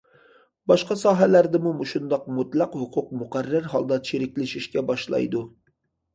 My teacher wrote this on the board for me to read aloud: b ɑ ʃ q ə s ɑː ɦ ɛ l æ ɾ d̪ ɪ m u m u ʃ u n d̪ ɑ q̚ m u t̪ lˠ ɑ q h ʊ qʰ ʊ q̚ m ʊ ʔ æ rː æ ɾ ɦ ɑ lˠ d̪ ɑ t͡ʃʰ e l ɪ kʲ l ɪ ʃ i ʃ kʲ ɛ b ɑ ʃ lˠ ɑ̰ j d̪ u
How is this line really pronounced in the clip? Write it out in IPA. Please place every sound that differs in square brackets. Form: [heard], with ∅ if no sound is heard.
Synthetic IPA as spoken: b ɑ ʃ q [ɑ] s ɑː ɦ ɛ l æ ɾ d̪ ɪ m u m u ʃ u n d̪ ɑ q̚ m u t̪ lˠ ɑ q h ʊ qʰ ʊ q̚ m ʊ [q] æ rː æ ɾ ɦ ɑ lˠ d̪ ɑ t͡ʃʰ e [ɾ] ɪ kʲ l ɪ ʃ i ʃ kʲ ɛ b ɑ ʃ lˠ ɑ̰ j d̪ u